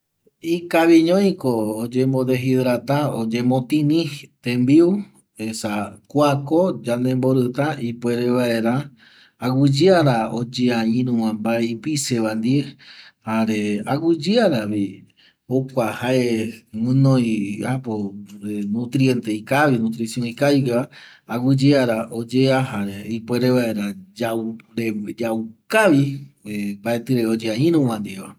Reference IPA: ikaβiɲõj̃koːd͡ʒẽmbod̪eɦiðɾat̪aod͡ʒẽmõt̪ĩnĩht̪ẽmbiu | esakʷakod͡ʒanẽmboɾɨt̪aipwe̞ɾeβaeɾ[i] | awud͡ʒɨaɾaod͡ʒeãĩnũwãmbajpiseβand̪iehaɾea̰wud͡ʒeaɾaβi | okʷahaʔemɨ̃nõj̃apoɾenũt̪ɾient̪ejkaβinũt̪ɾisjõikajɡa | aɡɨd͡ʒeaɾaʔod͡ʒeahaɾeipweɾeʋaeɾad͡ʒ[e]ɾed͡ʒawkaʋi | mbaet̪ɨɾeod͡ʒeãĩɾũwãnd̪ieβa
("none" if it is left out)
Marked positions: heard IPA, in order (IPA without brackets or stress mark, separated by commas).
a, a